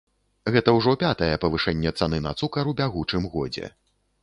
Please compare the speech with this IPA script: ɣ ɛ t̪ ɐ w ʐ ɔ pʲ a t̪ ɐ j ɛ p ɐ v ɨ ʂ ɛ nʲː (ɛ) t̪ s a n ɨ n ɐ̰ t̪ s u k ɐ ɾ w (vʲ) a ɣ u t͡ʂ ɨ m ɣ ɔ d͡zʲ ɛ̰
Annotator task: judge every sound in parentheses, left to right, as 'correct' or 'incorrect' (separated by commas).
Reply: correct, incorrect